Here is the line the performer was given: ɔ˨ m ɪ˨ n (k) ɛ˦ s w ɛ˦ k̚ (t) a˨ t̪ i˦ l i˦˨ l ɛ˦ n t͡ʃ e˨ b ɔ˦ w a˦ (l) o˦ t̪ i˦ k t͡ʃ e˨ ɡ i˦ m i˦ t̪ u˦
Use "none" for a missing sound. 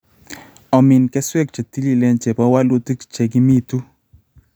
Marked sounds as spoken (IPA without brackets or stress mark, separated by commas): k, t͡ʃ, l